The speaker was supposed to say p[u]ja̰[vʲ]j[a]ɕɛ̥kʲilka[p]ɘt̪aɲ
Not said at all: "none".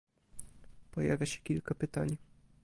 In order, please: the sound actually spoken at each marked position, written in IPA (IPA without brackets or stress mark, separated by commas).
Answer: ɔ, vʲ, a, p